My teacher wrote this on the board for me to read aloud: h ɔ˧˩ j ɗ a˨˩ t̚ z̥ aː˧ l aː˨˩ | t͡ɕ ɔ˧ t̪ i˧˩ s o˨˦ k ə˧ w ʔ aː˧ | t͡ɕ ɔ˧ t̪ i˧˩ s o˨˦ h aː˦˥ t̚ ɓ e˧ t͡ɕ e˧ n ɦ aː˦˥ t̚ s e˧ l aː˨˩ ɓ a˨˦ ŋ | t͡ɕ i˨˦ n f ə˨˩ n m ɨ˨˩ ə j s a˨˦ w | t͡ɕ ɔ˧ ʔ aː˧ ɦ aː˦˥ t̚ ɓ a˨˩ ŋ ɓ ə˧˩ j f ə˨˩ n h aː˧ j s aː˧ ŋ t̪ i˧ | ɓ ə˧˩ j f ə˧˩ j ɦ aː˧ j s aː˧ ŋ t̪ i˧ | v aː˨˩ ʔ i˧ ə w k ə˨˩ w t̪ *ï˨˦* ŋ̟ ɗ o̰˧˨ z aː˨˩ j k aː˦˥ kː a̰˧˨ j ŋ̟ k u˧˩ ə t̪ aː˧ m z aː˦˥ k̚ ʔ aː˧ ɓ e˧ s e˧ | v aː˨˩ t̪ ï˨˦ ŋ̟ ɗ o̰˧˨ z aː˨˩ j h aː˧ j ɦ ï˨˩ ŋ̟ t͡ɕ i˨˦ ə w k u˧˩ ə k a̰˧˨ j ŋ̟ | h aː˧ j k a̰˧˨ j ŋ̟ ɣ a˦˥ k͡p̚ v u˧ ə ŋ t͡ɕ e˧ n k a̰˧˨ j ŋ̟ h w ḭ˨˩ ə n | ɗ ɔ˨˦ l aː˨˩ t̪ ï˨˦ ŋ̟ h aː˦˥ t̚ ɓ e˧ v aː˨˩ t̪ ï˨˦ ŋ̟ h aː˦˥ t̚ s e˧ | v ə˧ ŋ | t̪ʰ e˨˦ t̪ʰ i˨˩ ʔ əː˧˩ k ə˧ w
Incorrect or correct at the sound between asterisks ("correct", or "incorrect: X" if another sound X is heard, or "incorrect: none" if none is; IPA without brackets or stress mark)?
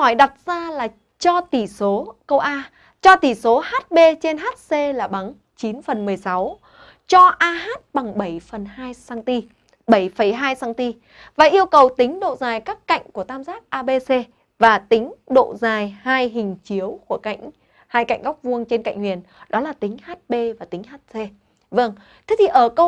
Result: correct